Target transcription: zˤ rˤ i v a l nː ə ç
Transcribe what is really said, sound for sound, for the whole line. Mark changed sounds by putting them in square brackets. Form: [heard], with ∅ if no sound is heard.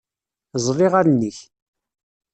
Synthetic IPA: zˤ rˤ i [ʁ] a [ɾ] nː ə ç